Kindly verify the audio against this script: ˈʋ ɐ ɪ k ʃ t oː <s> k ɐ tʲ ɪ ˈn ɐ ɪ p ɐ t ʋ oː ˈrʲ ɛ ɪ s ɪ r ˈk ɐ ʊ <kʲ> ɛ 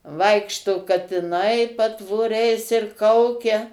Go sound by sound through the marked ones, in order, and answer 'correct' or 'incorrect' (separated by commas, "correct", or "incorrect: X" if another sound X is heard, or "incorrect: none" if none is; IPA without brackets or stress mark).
incorrect: none, correct